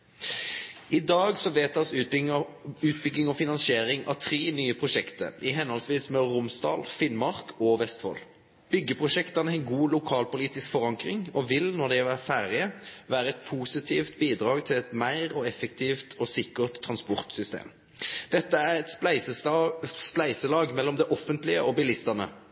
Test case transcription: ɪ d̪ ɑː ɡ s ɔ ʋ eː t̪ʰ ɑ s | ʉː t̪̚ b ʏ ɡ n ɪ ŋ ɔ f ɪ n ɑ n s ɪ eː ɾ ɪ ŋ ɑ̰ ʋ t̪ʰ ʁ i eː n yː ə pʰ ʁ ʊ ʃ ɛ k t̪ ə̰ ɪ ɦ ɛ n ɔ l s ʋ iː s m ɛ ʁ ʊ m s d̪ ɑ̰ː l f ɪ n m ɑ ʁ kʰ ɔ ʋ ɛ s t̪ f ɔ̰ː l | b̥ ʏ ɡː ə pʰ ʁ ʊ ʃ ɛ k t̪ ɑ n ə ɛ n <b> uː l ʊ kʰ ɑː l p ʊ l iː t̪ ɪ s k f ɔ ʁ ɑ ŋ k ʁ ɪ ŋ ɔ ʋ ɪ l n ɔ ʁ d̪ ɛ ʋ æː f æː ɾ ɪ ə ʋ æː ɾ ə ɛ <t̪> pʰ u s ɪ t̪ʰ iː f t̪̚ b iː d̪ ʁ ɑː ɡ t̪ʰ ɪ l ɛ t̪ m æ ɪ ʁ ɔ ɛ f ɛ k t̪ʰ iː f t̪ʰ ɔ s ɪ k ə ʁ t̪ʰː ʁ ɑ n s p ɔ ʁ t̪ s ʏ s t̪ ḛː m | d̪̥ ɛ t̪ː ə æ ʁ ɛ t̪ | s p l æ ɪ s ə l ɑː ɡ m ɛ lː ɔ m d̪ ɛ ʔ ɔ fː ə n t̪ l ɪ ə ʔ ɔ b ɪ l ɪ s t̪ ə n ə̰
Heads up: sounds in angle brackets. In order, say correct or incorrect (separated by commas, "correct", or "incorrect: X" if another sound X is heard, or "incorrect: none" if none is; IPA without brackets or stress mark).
incorrect: ɡ, correct